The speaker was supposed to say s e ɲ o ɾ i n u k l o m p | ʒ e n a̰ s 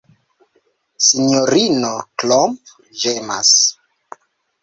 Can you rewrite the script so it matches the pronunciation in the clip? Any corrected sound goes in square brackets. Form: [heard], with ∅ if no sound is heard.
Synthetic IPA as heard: s [i] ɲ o ɾ i n [o] k l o m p | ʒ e [m] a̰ s